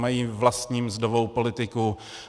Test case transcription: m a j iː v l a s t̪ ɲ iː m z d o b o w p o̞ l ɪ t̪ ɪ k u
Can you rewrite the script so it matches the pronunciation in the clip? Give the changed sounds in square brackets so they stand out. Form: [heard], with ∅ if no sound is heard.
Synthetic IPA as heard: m a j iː v l a s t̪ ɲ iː m z d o [v] o w p o̞ l ɪ t̪ ɪ k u